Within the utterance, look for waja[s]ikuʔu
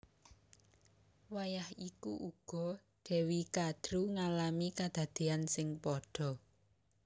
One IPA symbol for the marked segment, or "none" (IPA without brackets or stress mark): h